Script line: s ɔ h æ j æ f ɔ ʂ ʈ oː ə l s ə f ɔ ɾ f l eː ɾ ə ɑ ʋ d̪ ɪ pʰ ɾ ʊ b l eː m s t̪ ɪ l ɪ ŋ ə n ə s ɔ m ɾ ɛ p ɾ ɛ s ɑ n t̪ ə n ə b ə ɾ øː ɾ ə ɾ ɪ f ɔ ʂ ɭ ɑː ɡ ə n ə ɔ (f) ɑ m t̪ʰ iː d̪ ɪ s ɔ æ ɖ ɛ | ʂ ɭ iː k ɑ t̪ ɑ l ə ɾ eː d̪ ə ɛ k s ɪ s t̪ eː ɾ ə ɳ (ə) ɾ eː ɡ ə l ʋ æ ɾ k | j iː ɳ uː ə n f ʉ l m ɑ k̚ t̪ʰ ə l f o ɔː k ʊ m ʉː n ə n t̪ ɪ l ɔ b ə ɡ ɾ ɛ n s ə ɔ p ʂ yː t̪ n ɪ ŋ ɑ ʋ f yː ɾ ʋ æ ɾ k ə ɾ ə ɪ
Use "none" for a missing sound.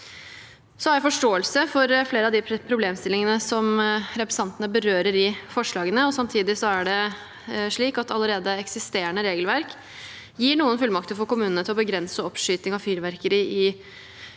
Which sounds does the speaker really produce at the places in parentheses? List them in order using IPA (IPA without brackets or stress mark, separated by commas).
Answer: s, ə